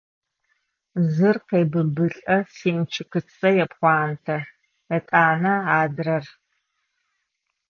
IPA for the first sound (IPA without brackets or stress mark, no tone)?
z